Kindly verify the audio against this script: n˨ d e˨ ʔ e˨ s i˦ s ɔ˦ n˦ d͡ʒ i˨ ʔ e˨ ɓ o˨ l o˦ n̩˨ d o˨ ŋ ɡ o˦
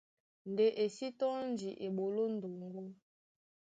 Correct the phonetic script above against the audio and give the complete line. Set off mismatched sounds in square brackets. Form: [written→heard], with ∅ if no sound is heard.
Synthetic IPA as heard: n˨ d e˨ ʔ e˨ s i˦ [s→t] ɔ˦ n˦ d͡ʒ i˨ ʔ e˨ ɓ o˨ l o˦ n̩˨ d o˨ ŋ ɡ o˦